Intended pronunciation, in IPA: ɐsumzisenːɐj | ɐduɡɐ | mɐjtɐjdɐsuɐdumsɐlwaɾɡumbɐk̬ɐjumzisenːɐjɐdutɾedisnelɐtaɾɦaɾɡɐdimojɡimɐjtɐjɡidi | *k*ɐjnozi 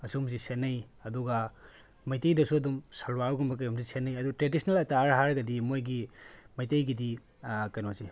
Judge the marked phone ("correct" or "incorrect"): correct